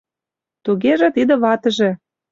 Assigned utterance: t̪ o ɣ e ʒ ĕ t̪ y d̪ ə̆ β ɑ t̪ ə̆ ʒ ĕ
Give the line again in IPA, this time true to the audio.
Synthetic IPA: t̪ u ɣ e ʒ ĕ t̪ i d̪ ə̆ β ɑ t̪ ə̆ ʒ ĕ

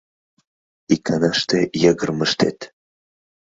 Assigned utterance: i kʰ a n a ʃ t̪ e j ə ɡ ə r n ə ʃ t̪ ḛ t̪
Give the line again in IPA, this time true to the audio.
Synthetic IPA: i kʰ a n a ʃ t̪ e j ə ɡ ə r m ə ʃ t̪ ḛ t̪

